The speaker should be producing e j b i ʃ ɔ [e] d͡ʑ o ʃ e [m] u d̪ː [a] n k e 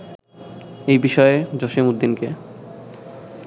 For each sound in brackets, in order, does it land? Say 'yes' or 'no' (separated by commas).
yes, yes, no